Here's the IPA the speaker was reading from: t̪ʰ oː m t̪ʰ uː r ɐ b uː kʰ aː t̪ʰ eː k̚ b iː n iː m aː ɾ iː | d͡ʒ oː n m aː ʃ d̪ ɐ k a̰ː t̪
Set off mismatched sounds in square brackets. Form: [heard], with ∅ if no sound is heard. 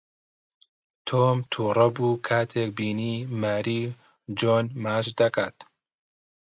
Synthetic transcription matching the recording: t̪ʰ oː m t̪ʰ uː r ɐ b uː kʰ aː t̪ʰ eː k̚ b iː n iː m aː ɾ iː | d͡ʒ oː n m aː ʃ d̪ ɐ k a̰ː t̪